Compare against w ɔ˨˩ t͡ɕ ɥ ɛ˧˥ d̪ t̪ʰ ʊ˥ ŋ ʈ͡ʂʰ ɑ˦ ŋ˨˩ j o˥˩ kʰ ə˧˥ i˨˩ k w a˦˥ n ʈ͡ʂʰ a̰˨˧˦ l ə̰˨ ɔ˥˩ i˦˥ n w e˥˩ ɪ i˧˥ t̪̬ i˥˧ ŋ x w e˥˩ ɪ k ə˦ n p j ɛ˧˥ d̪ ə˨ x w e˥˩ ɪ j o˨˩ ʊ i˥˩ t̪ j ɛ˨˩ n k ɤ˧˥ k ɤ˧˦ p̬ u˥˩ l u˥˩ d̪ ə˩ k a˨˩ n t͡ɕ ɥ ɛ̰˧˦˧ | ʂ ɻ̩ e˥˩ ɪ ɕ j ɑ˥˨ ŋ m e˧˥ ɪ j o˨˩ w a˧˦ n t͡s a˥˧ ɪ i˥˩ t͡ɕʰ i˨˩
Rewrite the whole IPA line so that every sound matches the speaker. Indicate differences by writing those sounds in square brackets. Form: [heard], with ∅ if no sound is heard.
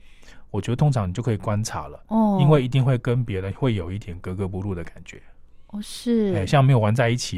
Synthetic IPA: w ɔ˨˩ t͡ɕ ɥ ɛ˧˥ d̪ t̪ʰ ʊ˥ ŋ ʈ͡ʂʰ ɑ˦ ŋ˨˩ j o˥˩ kʰ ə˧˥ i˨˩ k w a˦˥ n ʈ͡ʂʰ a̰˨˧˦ l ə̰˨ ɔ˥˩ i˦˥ n w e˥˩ ɪ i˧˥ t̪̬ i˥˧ ŋ x w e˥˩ ɪ k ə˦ n p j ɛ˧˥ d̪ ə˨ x w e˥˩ ɪ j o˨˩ ʊ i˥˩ [t̪ʰ] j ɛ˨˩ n k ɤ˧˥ k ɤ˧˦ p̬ [u˧] l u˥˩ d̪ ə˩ k a˨˩ n t͡ɕ ɥ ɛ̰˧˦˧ | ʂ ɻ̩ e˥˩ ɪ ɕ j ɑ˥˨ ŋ m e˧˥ ɪ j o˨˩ w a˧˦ n t͡s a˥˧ ɪ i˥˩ t͡ɕʰ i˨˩